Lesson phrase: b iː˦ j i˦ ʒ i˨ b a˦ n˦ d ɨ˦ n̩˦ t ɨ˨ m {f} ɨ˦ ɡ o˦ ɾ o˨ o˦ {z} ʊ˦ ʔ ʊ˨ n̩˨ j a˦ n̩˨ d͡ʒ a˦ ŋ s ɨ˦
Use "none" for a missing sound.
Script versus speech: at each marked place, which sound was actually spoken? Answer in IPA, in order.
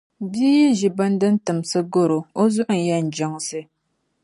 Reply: s, z

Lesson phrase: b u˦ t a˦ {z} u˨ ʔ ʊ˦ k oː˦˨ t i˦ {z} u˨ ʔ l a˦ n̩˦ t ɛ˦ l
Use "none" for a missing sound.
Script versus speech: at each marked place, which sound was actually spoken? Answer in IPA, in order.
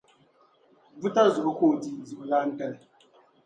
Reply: z, z

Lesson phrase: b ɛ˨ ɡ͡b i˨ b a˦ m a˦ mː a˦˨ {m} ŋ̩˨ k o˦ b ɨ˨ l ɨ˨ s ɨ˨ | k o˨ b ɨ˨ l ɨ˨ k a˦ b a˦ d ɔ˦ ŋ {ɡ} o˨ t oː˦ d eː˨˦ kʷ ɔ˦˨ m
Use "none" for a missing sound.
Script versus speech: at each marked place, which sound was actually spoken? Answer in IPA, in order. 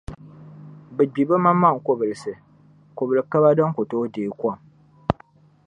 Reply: none, k

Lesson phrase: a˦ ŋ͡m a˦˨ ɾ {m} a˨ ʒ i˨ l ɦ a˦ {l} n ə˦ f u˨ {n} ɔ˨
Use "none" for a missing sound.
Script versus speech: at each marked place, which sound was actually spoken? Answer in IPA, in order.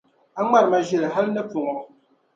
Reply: m, l, ŋ

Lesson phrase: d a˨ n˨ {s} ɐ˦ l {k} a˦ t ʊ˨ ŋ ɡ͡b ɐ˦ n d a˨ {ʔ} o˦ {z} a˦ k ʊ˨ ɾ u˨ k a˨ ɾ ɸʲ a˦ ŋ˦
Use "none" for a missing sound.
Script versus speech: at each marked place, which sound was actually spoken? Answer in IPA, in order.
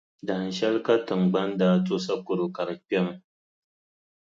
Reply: ʃ, k, t, s

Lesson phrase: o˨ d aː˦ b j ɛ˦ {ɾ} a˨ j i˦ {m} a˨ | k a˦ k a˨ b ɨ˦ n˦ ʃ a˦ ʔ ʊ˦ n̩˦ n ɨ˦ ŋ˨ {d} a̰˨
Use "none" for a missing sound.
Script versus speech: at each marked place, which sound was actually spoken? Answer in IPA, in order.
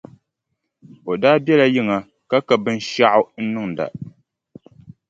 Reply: l, ŋ, d

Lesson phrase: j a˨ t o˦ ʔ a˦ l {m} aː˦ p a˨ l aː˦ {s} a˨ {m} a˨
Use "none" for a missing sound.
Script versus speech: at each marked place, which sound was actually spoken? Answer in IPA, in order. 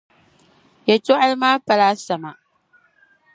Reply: m, s, m

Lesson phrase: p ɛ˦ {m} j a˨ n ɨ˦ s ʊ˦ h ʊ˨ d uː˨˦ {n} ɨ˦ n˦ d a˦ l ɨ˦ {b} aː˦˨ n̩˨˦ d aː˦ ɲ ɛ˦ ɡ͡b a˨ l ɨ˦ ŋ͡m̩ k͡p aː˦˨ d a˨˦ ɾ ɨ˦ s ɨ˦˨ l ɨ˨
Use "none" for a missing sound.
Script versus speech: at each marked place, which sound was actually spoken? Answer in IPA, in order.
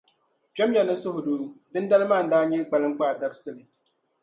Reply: m, d, m

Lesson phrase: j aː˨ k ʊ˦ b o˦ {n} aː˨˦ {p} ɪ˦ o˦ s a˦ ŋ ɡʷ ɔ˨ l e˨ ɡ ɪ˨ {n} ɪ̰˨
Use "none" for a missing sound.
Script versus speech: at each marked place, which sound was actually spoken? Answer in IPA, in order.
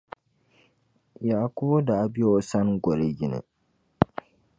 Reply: d, b, n

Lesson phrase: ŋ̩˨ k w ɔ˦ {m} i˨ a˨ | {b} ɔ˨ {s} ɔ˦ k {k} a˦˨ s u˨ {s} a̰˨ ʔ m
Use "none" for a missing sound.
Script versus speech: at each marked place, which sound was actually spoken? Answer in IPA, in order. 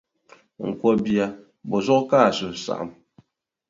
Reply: b, b, z, k, s

